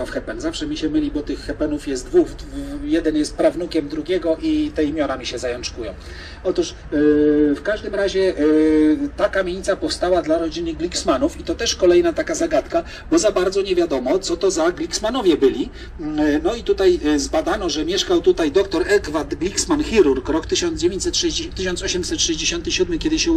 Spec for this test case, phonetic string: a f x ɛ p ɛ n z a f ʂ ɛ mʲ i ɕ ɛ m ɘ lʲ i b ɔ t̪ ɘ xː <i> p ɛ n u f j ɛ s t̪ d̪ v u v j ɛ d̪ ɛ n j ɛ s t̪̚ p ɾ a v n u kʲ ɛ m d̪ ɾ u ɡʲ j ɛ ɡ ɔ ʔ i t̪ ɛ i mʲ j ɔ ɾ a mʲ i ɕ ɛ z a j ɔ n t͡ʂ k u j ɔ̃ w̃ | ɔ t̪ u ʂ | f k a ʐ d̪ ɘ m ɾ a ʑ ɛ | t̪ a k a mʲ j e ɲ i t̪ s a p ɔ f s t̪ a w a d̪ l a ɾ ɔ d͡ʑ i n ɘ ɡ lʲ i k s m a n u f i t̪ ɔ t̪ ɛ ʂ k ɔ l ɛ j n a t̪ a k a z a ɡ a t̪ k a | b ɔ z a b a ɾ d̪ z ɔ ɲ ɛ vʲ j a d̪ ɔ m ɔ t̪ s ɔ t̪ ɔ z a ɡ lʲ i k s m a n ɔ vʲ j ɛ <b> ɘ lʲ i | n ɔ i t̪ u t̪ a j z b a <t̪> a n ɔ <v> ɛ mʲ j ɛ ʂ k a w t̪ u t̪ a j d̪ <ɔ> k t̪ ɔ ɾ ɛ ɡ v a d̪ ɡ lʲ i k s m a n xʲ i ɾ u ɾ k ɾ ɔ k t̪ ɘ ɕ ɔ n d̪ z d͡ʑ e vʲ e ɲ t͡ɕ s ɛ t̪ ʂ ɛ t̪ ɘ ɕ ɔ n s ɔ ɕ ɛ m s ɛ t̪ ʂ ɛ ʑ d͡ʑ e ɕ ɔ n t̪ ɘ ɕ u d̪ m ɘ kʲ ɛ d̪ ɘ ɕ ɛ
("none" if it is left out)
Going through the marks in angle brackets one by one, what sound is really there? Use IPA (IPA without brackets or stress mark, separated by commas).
ɛ, b, d̪, ʐ, ɔ